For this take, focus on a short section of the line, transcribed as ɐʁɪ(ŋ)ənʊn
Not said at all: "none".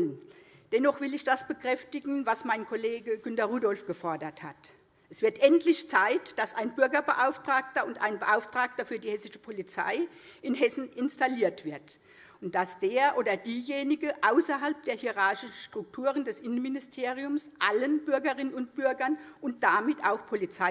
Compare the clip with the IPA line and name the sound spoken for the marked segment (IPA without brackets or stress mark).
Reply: n